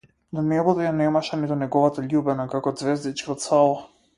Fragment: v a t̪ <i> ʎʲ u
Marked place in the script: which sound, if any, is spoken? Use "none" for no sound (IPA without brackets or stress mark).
a